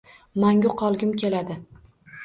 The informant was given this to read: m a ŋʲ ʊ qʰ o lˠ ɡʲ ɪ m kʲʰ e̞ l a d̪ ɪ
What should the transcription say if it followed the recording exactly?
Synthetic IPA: m a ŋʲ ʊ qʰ ɒ lˠ ɡʲ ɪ m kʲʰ e̞ l a d̪ ɪ